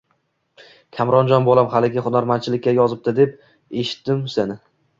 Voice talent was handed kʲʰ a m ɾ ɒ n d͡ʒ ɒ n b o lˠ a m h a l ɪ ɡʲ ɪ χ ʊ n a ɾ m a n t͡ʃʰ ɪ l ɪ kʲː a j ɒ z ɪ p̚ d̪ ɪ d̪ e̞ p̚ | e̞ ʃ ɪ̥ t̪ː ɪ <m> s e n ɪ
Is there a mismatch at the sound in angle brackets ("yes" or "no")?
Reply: no